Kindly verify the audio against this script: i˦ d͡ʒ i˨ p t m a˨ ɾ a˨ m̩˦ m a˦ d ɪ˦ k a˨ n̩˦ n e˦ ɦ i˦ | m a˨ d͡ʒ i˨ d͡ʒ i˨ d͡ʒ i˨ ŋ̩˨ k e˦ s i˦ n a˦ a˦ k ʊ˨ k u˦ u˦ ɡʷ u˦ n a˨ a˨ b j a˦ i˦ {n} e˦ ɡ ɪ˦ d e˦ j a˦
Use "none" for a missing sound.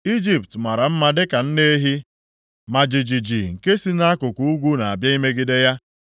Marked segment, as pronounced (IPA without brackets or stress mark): m